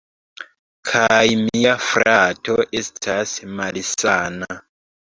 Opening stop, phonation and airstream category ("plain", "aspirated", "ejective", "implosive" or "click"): aspirated